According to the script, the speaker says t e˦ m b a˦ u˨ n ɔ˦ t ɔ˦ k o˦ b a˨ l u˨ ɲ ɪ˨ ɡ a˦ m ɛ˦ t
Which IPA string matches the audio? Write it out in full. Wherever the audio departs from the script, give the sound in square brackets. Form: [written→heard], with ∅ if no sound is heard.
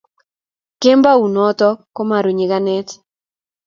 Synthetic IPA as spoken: [t→k] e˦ m b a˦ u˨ n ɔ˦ t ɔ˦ k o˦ [b→m] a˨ [l→ɾ] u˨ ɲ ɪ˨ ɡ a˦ [m→n] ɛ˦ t

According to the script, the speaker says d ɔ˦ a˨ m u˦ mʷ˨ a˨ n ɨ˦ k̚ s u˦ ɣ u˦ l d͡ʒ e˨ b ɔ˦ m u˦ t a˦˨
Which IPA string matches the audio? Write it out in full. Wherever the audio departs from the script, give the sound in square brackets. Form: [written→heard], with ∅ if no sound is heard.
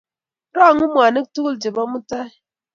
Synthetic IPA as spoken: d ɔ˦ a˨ [m→ŋ] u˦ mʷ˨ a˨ n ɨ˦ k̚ [s→t] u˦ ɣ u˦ l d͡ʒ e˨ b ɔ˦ m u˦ t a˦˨

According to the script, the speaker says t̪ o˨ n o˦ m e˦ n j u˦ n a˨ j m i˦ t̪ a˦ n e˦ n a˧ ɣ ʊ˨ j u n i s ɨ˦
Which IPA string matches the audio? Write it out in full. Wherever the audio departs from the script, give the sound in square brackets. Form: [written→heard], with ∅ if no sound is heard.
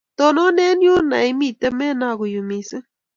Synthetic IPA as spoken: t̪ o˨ n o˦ [m→n] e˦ n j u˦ n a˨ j m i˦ t̪ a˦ [n→m] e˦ n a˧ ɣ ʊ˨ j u [n→m] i s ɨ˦

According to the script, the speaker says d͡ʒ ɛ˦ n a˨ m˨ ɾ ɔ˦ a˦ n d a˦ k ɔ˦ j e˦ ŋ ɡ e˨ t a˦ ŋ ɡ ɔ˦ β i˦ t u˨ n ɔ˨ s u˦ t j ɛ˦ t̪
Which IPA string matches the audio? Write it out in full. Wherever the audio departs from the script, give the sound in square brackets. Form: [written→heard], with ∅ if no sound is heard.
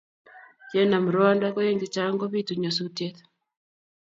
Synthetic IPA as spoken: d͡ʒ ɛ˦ n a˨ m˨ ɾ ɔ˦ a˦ n d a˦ k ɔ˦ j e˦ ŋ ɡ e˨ [t→t͡ʃ] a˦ ŋ ɡ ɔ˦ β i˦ t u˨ [n→ɲ] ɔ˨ s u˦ t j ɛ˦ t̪

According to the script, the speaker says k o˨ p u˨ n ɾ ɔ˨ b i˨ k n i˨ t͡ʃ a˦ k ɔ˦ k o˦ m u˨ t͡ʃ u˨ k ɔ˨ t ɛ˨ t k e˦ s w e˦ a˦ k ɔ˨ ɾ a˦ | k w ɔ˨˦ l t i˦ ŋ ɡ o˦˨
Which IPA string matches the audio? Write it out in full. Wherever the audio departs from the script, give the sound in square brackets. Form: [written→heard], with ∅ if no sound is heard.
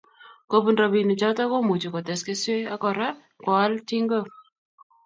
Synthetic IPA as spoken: k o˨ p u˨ n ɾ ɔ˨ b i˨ [k→∅] n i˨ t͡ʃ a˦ [k→t] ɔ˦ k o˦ m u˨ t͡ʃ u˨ k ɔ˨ t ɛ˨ [t→s] k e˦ s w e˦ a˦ k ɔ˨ ɾ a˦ | k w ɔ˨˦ l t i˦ ŋ ɡ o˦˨

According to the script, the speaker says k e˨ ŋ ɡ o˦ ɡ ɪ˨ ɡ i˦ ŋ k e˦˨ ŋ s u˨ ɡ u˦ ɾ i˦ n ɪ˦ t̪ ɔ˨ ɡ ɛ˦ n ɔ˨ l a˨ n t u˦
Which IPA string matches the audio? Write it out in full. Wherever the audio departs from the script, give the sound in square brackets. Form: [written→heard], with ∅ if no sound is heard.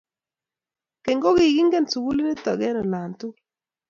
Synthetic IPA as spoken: k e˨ ŋ ɡ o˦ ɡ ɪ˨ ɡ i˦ ŋ [k→ɡ] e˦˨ [ŋ→n] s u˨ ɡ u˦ [ɾ→l] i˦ n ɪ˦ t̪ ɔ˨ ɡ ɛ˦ n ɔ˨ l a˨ n t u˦

